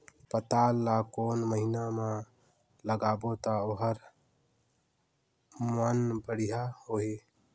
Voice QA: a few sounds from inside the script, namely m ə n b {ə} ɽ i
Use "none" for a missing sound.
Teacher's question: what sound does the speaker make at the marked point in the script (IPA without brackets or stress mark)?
ə